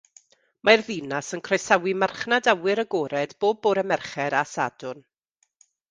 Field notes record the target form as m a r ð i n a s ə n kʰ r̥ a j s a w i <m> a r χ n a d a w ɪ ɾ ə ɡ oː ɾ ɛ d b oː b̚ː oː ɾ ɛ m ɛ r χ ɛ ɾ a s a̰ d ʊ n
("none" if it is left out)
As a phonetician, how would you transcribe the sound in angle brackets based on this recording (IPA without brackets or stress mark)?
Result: m